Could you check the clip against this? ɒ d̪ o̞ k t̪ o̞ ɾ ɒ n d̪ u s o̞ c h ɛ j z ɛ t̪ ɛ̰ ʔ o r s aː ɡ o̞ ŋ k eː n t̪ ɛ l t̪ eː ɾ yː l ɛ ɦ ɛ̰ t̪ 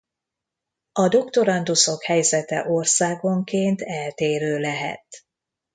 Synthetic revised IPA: ɒ d̪ o̞ k t̪ o̞ ɾ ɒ n d̪ u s o̞ k h ɛ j z ɛ t̪ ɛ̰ ʔ o r s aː ɡ o̞ ŋ k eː n t̪ ɛ l t̪ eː ɾ øː l ɛ ɦ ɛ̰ t̪